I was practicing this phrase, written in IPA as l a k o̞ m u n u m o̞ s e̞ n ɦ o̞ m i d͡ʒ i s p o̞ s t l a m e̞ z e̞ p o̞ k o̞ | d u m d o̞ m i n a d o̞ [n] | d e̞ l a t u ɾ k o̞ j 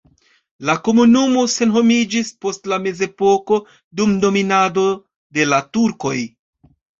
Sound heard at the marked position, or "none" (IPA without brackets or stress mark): none